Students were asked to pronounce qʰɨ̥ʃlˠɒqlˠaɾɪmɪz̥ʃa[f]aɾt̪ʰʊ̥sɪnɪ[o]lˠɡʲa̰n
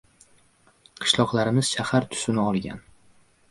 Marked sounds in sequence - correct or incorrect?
incorrect: h, incorrect: ɒ

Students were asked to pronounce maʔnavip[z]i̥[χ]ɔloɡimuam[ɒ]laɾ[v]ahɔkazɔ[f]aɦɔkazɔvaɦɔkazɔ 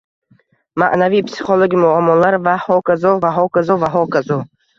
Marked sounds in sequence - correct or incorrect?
incorrect: s, correct, incorrect: ɔ, correct, incorrect: v

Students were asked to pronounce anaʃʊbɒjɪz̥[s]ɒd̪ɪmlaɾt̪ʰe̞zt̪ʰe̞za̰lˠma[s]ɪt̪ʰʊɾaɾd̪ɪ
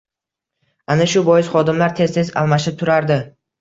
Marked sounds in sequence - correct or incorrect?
incorrect: χ, incorrect: ʃ

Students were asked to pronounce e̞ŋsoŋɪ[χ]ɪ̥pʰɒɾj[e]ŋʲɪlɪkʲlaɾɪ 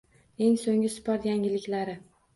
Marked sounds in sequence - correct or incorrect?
incorrect: s, incorrect: a

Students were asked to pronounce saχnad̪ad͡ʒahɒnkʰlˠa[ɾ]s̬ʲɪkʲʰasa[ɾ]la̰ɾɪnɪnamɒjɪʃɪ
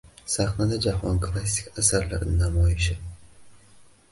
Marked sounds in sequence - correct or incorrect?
incorrect: none, correct

